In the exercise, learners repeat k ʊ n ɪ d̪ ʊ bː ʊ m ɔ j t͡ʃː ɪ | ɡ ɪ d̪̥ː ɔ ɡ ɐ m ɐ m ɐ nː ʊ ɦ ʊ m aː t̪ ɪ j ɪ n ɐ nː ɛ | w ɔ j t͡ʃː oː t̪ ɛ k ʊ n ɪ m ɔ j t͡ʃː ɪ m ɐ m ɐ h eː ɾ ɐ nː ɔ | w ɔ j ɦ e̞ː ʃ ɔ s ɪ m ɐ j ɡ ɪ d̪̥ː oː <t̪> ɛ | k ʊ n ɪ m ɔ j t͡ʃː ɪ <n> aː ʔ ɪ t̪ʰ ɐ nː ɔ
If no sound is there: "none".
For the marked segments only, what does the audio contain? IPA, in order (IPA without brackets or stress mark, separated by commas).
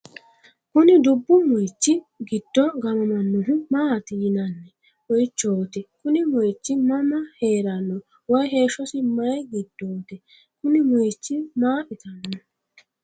t̪, m